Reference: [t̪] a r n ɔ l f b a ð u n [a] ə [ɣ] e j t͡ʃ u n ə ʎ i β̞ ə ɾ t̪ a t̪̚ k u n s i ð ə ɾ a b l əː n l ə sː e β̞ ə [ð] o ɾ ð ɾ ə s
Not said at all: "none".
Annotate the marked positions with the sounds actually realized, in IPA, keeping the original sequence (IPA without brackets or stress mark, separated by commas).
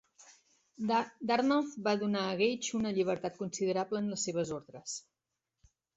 d̪, a, ɣ, z